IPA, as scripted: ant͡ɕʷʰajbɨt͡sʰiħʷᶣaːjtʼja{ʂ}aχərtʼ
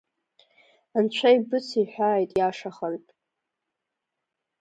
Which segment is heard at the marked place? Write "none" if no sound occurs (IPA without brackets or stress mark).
ʂ